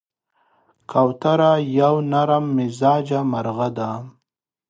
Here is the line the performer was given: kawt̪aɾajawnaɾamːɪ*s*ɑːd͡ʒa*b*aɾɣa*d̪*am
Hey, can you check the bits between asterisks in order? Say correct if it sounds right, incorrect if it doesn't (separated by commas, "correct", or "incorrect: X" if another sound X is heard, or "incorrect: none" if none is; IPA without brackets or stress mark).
incorrect: z, incorrect: m, correct